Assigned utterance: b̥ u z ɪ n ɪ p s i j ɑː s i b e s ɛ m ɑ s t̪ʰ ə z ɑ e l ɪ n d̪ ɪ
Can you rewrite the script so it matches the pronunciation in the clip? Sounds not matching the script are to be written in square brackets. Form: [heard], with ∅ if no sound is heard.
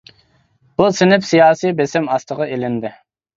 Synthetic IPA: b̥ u [s] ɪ n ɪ p s i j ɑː s i b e s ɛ m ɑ s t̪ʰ ə [ʁ] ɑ e l ɪ n d̪ ɪ